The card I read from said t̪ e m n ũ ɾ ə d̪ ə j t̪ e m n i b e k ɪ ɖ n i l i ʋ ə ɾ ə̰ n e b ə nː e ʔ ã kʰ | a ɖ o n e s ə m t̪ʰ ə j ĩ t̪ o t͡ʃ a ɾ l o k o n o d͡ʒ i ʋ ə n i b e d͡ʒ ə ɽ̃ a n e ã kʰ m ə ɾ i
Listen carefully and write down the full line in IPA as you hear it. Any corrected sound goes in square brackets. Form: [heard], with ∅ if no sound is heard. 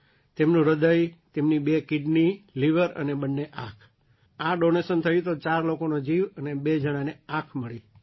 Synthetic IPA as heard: t̪ e m n ũ ɾ ə d̪ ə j t̪ e m n i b e k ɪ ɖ n i l i ʋ ə ɾ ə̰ n e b ə nː e ʔ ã kʰ | a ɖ o n e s ə [n] t̪ʰ ə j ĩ t̪ o t͡ʃ a ɾ l o k o n o d͡ʒ i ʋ ə n [e] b e d͡ʒ ə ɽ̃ a n e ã kʰ m ə [ɭ] i

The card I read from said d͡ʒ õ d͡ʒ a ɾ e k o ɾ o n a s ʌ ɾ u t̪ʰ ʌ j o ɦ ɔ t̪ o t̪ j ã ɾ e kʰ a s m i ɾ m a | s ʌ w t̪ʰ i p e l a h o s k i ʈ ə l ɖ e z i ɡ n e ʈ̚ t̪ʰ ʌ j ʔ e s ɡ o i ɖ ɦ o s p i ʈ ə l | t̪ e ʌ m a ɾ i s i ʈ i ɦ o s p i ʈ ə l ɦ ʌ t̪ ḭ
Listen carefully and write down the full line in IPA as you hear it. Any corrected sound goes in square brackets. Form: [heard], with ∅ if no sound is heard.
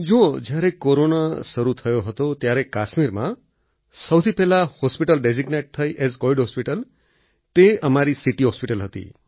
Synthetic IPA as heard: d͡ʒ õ d͡ʒ a ɾ e k o ɾ o n a s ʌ ɾ u t̪ʰ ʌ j o ɦ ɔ t̪ o t̪ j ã ɾ e [k] a s m i ɾ m a | s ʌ w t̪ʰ i p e l a h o s [p] i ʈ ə l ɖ e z i ɡ n e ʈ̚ t̪ʰ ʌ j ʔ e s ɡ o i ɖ ɦ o s p i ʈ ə l | t̪ e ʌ m a ɾ i s i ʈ i ɦ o s p i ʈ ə l ɦ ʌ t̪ ḭ

